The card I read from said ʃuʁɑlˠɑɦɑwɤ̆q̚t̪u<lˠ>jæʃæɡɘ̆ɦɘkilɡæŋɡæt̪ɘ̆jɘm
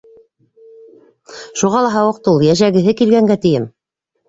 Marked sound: correct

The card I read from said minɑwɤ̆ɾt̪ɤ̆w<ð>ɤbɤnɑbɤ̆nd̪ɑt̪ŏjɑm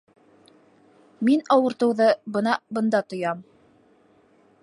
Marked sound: correct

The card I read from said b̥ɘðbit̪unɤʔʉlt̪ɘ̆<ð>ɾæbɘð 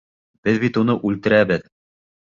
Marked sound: incorrect: none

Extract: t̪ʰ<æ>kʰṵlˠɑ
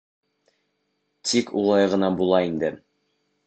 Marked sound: incorrect: i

